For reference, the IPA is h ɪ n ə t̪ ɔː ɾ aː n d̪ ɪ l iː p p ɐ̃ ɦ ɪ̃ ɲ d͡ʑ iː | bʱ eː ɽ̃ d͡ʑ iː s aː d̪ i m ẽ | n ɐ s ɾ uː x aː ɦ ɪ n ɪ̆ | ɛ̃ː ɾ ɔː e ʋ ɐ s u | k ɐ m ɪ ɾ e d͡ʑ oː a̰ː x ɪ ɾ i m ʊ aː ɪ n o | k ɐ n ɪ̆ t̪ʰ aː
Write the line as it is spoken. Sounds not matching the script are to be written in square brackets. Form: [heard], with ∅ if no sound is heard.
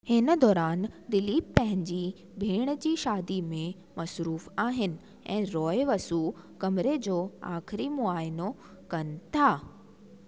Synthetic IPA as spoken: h ɪ n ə [d̪] ɔː ɾ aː n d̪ ɪ l iː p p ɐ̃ ɦ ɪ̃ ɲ d͡ʑ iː | bʱ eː ɽ̃ d͡ʑ iː [ʃ] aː d̪ i m ẽ | [m] ɐ s ɾ uː [f] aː ɦ ɪ n ɪ̆ | ɛ̃ː ɾ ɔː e ʋ ɐ s u | k ɐ m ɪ ɾ e d͡ʑ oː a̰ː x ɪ ɾ i m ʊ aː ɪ n o | k ɐ n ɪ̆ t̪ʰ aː